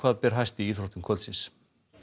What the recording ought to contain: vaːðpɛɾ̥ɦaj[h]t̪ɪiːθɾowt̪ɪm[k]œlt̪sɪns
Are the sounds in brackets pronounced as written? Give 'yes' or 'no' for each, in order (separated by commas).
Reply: no, no